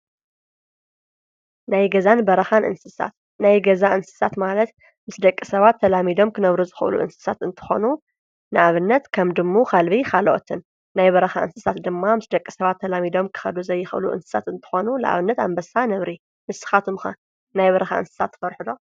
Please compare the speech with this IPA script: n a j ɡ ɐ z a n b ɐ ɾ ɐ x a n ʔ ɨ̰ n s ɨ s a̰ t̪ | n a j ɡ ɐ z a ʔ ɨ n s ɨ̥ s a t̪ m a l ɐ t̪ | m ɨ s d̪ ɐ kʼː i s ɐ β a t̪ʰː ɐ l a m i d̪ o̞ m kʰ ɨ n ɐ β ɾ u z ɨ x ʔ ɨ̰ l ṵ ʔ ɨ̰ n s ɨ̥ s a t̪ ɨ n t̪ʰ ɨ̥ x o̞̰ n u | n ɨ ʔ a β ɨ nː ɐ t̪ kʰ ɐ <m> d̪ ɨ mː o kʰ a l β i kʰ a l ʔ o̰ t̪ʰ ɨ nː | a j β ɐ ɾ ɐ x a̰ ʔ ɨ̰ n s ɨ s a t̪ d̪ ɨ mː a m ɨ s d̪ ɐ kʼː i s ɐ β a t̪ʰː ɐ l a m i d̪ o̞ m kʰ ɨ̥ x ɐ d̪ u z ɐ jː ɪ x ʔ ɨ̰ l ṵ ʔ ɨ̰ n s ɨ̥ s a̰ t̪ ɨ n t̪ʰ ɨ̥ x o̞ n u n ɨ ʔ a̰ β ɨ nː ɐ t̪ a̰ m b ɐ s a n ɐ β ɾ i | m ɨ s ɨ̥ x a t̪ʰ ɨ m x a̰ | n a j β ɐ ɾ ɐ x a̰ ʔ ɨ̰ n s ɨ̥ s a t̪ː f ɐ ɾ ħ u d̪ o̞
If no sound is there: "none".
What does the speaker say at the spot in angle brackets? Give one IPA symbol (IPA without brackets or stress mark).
m